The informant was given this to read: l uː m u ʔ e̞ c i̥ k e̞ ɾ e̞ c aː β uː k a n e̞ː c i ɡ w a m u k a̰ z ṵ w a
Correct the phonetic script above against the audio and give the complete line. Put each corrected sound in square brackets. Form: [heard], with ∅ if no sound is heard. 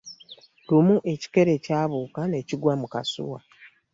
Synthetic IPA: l [u] m u ʔ e̞ c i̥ k e̞ ɾ e̞ c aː β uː k a n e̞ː c i ɡ w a m u k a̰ [s] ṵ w a